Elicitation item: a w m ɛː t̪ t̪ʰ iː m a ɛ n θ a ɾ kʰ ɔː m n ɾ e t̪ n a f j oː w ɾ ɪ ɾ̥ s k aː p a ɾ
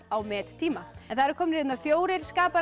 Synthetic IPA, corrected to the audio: a w m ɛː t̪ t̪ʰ iː m a ɛ n θ a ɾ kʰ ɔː m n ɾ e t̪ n a f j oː w ɾ ɪ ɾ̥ s k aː p a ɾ